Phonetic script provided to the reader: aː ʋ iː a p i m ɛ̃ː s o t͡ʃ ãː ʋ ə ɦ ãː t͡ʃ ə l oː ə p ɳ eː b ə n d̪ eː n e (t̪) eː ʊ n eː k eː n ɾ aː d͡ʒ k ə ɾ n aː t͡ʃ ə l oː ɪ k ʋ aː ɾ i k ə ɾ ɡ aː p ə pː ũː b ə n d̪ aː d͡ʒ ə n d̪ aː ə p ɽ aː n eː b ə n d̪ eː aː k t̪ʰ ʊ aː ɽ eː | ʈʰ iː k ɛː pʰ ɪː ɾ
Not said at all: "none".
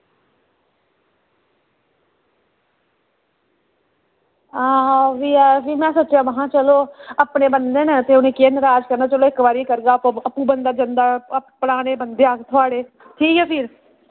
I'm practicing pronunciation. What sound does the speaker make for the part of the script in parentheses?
t̪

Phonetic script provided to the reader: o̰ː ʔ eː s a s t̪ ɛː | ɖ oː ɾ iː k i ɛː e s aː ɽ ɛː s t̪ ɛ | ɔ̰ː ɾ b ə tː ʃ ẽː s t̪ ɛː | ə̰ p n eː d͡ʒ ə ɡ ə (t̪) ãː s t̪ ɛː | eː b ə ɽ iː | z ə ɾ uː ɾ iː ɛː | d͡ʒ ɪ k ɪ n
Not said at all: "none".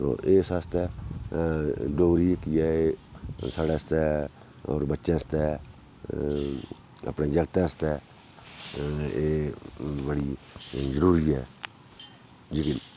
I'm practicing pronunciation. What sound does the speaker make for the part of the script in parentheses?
t̪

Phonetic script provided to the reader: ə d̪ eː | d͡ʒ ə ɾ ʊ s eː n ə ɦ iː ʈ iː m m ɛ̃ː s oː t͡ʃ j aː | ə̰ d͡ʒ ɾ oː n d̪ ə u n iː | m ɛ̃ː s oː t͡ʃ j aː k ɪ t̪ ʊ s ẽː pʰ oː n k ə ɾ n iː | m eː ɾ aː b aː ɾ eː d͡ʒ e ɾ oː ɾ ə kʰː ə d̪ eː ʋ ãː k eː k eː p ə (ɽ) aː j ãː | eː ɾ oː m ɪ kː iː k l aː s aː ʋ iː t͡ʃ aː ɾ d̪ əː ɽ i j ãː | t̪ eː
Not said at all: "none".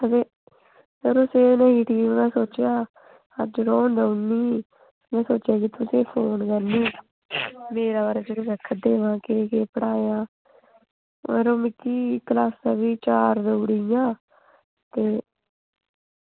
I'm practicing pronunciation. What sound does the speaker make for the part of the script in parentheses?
ɽ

